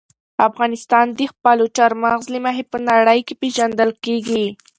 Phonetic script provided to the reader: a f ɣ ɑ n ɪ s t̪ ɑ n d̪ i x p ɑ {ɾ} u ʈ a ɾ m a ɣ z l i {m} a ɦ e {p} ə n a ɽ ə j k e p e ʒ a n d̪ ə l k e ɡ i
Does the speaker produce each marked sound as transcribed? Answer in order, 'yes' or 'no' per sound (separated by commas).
no, yes, yes